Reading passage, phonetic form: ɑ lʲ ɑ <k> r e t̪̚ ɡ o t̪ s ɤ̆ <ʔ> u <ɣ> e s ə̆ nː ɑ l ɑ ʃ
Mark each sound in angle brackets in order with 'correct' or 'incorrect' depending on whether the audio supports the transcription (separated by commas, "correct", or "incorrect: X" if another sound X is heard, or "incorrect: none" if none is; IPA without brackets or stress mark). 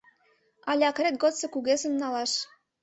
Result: correct, incorrect: k, correct